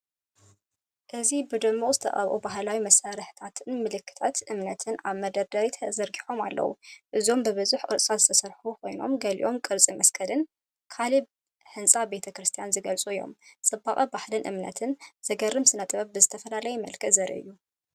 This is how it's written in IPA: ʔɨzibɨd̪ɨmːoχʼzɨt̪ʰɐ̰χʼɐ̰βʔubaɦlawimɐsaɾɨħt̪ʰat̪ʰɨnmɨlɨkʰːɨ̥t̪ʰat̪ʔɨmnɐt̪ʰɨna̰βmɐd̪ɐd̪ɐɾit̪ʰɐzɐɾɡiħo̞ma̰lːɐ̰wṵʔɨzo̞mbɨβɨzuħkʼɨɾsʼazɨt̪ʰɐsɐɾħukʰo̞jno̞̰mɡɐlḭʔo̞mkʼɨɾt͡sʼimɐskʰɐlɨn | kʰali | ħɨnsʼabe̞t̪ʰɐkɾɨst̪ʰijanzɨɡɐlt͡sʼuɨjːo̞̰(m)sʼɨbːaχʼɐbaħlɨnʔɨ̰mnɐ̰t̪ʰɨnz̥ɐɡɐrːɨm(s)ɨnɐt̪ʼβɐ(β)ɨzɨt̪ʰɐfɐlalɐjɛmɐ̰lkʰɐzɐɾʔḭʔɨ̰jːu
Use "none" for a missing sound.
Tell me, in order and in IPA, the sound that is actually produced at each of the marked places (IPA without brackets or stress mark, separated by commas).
m, s, b